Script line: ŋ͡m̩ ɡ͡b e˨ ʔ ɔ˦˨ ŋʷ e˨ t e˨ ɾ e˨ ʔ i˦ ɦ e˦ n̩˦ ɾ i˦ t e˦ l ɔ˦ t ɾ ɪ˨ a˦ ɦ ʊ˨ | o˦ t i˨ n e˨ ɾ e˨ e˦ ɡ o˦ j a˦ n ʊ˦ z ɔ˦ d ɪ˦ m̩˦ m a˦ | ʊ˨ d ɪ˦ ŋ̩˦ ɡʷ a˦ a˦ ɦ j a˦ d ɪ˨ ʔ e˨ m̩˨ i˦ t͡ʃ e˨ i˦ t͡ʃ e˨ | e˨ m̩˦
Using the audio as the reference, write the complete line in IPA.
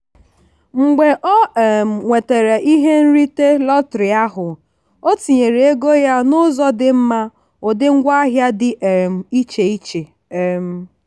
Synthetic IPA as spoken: ŋ͡m̩ ɡ͡b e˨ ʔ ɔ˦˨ ŋʷ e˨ t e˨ ɾ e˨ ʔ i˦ ɦ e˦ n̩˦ ɾ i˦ t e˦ l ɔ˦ t ɾ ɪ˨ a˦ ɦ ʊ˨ | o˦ t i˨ ɲ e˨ ɾ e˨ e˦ ɡ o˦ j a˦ n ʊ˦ z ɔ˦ d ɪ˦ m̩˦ m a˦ | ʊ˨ d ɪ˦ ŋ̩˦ ɡʷ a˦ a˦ ɦ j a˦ d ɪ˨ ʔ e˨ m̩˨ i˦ t͡ʃ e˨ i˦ t͡ʃ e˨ | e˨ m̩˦